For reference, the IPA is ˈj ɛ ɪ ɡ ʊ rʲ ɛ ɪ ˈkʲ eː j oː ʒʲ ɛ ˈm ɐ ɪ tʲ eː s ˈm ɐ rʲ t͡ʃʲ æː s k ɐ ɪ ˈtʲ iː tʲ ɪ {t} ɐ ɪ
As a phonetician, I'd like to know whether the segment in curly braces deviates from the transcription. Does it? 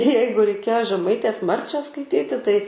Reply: no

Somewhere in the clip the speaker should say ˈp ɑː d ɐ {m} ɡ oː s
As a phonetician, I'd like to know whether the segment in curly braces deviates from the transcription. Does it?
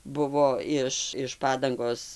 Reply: yes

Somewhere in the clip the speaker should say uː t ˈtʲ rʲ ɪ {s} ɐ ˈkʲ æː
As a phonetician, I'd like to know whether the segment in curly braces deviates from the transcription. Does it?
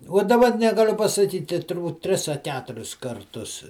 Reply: no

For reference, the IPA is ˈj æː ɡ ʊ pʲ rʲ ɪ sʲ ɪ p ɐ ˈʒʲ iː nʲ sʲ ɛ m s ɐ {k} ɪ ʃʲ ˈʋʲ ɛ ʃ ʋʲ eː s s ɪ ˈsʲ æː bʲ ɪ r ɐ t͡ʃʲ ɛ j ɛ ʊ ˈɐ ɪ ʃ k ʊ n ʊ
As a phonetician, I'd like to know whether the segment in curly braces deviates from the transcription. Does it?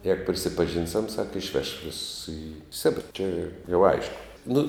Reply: no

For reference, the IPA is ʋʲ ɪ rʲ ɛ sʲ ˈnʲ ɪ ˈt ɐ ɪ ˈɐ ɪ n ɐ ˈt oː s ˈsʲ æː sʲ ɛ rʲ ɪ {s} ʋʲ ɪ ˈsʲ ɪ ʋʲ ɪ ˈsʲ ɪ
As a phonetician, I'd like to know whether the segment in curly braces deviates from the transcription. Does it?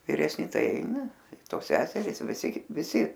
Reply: no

